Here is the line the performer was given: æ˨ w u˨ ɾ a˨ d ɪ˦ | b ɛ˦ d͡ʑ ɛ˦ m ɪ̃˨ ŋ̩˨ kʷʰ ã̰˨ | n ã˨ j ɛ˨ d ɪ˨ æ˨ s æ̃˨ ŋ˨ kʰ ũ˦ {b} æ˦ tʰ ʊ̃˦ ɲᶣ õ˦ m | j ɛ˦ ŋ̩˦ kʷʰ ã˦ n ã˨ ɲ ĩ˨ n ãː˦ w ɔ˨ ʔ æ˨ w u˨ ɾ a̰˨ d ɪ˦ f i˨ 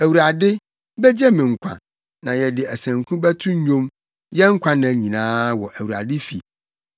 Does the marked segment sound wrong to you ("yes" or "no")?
no